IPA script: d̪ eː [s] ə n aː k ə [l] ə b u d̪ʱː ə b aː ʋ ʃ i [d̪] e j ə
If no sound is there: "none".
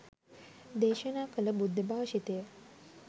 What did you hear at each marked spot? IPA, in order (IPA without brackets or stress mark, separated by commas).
ʃ, l, t̪